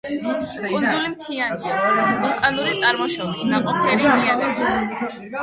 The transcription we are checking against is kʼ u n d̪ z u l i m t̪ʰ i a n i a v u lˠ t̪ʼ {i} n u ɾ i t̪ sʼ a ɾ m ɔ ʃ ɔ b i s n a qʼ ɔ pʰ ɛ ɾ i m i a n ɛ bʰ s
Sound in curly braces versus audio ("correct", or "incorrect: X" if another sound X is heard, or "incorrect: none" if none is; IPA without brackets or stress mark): incorrect: a